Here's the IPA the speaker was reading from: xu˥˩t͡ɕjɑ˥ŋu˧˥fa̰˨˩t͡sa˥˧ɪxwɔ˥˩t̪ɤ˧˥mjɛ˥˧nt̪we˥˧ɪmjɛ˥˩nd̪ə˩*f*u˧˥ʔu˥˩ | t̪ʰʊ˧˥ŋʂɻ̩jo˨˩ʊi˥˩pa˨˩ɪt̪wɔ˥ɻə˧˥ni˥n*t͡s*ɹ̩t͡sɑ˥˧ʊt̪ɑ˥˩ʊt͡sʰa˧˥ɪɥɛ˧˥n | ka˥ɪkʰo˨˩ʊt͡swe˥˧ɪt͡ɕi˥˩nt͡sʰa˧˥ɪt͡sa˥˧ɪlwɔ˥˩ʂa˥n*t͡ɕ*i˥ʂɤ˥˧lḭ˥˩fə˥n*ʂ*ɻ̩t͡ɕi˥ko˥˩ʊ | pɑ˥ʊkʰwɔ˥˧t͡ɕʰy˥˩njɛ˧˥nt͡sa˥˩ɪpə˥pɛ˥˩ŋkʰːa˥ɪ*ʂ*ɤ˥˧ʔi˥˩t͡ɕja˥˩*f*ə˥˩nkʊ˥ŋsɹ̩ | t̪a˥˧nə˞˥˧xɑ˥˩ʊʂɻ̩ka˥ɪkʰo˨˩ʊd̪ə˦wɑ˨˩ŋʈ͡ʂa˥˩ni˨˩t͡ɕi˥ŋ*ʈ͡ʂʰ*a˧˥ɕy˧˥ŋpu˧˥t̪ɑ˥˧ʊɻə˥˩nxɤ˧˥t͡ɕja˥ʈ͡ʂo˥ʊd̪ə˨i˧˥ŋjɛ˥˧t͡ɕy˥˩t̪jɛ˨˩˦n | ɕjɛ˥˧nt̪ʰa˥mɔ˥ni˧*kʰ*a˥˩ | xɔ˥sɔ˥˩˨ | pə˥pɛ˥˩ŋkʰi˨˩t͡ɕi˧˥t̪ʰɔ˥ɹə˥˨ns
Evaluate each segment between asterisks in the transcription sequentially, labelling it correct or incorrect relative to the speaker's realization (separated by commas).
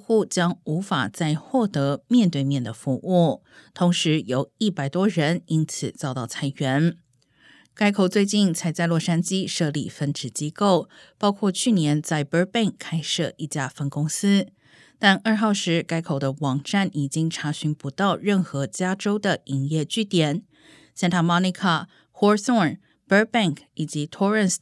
correct, incorrect, correct, incorrect, correct, correct, correct, correct